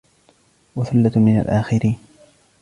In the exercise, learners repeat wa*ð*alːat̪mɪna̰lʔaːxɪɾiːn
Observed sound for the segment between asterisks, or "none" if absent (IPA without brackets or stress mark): θ